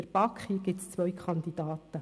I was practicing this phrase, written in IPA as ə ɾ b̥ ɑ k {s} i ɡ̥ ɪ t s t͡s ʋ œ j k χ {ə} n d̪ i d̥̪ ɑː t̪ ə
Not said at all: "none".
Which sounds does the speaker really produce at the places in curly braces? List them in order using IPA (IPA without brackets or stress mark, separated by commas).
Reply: χ, ɑ